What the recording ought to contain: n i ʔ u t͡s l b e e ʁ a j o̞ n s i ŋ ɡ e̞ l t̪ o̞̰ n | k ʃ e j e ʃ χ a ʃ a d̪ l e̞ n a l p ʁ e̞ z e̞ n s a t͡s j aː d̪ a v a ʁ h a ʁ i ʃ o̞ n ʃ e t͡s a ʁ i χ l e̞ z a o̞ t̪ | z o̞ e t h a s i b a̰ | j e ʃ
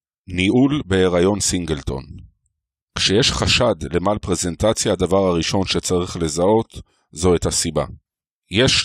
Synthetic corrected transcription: n i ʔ u l b e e ʁ a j o̞ n s i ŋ ɡ e̞ l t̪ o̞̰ n | k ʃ e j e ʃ χ a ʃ a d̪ l e̞ m a l p ʁ e̞ z e̞ n t a t͡s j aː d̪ a v a ʁ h a ʁ i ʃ o̞ n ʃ e t͡s a ʁ i χ l e̞ z a o̞ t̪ | z o̞ e t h a s i b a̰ | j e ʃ